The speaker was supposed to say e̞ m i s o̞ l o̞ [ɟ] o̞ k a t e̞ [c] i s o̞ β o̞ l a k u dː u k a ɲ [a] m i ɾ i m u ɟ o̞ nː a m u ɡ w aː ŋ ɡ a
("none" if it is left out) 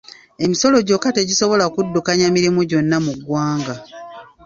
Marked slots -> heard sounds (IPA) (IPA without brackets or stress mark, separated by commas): ɟ, ɟ, a